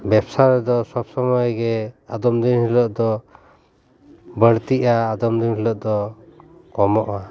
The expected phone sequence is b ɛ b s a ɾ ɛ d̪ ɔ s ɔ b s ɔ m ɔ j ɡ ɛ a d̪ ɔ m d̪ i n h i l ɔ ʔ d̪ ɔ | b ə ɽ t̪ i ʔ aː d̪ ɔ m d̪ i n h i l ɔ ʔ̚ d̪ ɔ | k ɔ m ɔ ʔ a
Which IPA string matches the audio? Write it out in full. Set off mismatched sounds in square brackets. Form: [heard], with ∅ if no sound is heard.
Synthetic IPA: b ɛ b s a ɾ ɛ d̪ ɔ s ɔ b s ɔ m ɔ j ɡ ɛ a d̪ ɔ m d̪ i n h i l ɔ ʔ d̪ ɔ | b ə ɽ t̪ i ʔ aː d̪ ɔ m d̪ i n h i l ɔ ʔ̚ d̪ ɔ | k ɔ m ɔ ʔ a